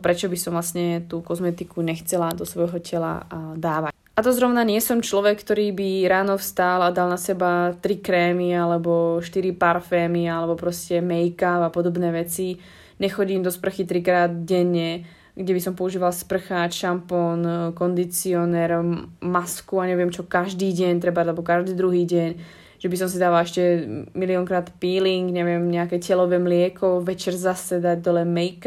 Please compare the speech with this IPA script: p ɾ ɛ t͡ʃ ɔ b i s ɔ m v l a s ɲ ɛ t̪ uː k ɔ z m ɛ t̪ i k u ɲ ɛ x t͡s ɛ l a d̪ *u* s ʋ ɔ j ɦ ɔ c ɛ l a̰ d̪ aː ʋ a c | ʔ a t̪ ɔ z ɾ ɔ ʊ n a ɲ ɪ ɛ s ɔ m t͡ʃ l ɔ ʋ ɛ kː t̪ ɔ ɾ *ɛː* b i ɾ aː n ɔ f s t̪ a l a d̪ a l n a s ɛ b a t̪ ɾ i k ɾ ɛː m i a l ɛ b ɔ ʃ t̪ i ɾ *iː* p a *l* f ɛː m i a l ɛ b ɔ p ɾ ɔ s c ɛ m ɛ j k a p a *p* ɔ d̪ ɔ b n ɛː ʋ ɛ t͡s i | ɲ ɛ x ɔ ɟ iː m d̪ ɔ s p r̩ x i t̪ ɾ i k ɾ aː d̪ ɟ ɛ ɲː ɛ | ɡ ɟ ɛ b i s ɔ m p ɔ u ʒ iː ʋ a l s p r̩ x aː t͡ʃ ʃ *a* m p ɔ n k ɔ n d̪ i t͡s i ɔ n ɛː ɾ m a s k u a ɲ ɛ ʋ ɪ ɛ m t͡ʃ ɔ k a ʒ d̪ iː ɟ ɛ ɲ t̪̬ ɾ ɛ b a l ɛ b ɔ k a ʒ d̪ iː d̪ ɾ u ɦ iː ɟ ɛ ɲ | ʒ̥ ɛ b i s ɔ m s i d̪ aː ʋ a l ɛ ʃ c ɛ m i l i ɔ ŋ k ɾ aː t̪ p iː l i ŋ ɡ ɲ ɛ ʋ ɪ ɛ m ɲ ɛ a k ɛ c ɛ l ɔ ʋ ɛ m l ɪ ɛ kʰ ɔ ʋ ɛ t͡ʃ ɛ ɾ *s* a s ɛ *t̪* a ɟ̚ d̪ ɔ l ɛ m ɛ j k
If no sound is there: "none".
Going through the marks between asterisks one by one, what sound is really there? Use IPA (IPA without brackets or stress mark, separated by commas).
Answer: ɔ, iː, i, ɾ, p, a, z, d̪